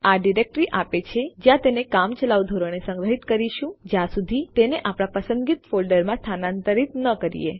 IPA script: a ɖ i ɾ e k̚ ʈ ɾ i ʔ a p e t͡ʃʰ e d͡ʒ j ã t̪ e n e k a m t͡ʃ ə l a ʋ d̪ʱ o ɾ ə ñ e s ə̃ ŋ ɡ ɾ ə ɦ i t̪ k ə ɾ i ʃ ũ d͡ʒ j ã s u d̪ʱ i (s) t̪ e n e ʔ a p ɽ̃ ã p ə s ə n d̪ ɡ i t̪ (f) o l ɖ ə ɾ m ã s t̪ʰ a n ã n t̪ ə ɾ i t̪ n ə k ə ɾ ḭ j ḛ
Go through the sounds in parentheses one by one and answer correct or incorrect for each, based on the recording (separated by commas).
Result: incorrect, correct